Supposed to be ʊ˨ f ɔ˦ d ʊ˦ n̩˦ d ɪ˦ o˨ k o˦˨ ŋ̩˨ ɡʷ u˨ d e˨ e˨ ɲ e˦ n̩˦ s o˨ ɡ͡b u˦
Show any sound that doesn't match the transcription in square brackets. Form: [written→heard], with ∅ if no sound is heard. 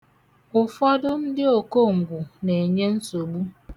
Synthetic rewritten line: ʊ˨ f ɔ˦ d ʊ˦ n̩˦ d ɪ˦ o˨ k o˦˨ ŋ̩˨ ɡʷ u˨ [d→n] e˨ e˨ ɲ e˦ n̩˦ s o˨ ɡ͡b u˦